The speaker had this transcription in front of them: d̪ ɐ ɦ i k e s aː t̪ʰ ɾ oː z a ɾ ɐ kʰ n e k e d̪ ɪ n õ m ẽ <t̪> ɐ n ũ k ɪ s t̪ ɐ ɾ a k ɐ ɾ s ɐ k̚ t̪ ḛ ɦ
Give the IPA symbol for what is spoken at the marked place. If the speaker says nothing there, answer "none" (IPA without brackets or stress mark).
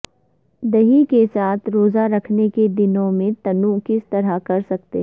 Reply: t̪